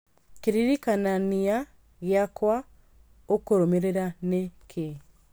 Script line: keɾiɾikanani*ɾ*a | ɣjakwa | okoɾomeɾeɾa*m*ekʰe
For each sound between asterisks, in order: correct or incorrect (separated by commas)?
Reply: incorrect, incorrect